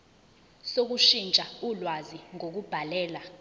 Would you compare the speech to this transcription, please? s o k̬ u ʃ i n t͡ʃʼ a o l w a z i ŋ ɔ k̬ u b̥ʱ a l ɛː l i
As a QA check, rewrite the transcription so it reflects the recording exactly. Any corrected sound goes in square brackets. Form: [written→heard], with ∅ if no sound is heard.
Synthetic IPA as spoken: s o k̬ u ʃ i n t͡ʃʼ a [o→u] l w a z i ŋ [ɔ→o] k̬ u b̥ʱ a l ɛː l [i→a]